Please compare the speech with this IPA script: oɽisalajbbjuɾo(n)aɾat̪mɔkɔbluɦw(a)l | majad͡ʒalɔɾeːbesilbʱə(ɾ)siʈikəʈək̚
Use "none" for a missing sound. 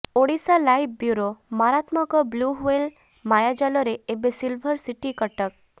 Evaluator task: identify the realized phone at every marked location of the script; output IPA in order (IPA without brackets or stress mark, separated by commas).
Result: m, e, ɾ